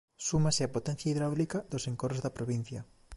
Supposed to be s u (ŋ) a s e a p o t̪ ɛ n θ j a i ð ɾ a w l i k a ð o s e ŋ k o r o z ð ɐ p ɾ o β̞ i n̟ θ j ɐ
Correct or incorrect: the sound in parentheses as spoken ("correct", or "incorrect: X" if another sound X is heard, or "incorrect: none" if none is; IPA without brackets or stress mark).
incorrect: m